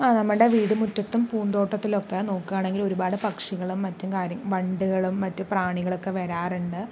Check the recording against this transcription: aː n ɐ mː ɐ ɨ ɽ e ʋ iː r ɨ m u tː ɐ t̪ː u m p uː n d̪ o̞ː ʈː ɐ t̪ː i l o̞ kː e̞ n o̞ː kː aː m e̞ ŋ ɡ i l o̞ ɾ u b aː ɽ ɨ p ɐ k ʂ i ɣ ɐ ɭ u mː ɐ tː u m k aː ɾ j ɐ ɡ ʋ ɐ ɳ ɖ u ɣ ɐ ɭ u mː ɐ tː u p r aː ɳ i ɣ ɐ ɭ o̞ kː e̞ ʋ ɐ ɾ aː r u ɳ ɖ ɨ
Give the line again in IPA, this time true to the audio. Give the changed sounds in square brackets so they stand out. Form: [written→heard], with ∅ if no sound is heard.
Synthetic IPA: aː n ɐ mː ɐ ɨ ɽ e ʋ iː [r→ɽ] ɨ m u tː ɐ t̪ː u m p uː n d̪ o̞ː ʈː ɐ t̪ː i l o̞ kː e̞ n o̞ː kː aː [m→ɳ] e̞ ŋ ɡ i l o̞ ɾ u b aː ɽ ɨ p ɐ k ʂ i ɣ ɐ ɭ u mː ɐ tː u m k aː ɾ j ɐ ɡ ʋ ɐ ɳ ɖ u ɣ ɐ ɭ u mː ɐ tː u p r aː ɳ i ɣ ɐ ɭ o̞ kː e̞ ʋ ɐ ɾ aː r u ɳ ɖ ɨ